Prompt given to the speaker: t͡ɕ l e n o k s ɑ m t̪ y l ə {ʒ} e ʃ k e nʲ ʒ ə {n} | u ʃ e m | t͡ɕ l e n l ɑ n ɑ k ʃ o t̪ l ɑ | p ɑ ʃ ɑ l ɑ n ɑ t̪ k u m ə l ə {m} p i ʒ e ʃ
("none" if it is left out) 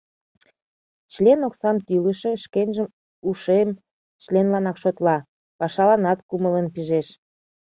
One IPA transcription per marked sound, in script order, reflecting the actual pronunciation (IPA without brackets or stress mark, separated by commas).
ʃ, m, n